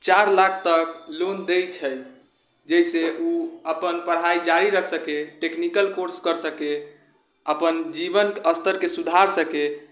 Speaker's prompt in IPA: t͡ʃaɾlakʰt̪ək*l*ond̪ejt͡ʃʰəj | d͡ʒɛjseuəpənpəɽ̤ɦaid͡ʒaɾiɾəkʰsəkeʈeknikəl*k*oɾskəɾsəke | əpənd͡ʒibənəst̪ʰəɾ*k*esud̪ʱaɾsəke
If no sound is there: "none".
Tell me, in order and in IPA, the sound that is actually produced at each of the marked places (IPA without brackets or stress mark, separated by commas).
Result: l, k, k